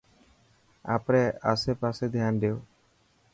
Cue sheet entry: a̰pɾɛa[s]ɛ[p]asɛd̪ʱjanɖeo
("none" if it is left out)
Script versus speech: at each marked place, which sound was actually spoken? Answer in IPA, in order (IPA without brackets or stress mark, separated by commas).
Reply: s, p